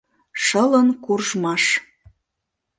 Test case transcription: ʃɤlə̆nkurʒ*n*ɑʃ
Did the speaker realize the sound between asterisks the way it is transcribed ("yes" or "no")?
no